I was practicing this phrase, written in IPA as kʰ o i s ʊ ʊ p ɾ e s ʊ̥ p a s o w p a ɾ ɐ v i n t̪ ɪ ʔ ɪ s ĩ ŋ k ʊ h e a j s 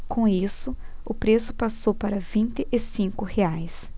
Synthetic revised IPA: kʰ õ i s ʊ ʊ p ɾ e s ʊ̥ p a s o w p a ɾ ɐ v ĩ n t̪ ɪ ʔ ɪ s ĩ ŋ k ʊ h e a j s